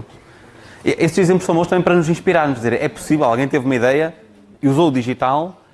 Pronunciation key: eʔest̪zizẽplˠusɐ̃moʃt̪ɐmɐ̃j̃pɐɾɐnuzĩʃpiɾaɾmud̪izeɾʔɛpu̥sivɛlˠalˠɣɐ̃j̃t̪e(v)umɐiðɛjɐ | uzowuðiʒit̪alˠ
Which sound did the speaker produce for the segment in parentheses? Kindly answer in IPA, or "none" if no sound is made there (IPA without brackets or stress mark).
v